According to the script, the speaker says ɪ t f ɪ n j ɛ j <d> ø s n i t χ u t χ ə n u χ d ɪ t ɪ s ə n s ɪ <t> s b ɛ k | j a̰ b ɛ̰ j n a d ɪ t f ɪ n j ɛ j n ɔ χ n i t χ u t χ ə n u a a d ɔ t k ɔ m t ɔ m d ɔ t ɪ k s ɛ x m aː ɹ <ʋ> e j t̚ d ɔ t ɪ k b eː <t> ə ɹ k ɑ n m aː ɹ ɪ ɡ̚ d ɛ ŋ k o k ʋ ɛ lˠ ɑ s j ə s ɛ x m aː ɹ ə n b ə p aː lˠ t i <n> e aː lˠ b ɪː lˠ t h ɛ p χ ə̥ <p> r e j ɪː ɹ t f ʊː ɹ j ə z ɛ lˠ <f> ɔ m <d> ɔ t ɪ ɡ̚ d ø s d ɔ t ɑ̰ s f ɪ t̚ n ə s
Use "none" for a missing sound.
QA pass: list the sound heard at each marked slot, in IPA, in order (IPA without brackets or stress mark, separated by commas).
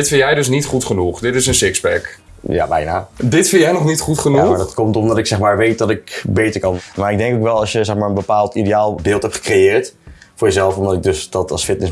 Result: d, k, ʋ, t, d, k, f, d